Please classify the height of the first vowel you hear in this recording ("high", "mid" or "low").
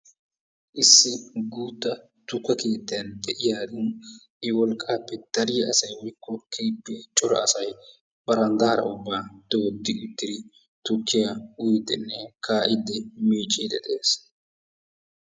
high